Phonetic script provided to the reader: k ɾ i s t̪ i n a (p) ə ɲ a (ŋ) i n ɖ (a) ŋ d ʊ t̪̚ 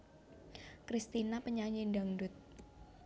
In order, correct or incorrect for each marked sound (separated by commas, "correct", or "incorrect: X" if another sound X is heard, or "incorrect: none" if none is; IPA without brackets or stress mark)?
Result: correct, incorrect: ɲ, correct